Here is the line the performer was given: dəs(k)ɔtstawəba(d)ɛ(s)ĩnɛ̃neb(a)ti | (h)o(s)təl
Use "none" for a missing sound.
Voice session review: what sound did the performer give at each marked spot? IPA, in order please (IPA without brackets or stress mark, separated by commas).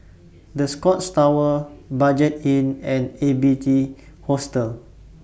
k, d͡ʒ, t, i, h, s